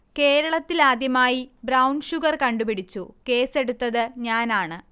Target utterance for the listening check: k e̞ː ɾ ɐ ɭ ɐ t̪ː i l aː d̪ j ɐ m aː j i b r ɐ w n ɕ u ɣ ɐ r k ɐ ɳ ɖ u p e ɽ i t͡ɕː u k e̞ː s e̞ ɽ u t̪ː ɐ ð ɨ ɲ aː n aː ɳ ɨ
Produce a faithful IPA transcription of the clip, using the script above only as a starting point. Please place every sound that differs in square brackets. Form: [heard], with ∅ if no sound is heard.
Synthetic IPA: k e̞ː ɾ ɐ ɭ ɐ t̪ː i l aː d̪ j ɐ m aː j i b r ɐ w n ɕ u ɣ ɐ r k ɐ ɳ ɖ u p [i] ɽ i t͡ɕː u k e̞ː s e̞ ɽ u t̪ː ɐ ð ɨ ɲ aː n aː ɳ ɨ